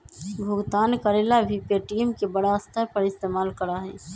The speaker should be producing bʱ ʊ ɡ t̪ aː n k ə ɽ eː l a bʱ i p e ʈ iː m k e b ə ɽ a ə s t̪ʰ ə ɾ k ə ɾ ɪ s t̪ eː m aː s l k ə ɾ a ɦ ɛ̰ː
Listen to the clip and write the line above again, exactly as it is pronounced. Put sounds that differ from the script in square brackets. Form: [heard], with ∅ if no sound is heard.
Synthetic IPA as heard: bʱ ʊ ɡ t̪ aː n k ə [ɾ] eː l a bʱ i p e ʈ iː m k e b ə ɽ a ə s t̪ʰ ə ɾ [p] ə ɾ ɪ s t̪ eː m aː [∅] l k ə ɾ a ɦ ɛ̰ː